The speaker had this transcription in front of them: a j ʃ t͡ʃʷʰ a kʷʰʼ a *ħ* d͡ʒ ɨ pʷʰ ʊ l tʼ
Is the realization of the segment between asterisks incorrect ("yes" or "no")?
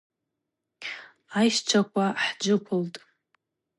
no